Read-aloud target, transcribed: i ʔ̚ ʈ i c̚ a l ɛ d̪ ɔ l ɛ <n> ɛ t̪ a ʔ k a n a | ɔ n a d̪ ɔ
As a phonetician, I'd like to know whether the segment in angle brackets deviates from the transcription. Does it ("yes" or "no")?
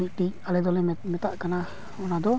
yes